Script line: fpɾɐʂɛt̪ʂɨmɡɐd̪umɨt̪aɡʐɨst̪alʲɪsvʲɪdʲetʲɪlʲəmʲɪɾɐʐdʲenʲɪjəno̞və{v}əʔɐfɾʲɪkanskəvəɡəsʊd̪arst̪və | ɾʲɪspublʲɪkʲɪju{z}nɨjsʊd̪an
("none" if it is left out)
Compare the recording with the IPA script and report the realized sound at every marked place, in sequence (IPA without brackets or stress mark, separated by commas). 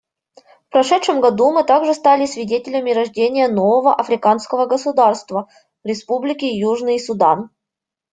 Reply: v, ʐ